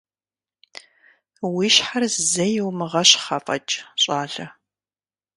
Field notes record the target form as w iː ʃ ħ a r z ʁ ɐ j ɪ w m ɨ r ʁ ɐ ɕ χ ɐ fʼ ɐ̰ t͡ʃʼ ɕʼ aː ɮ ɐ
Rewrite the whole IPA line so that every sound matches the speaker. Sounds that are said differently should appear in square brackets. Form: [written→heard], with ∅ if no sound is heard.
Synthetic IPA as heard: w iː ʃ ħ a r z [ʁ→z] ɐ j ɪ w m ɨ [r→∅] ʁ ɐ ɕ χ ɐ fʼ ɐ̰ t͡ʃʼ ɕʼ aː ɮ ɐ